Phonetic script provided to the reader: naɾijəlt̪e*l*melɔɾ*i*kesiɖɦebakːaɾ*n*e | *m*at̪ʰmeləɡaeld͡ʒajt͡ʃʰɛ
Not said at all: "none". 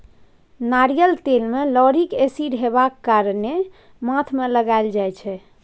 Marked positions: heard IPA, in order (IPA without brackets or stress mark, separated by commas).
l, i, n, m